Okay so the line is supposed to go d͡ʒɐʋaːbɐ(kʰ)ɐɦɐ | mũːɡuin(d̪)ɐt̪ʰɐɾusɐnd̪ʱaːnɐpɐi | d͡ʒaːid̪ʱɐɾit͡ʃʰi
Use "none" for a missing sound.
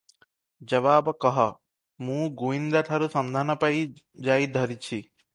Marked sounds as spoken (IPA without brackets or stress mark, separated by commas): k, d̪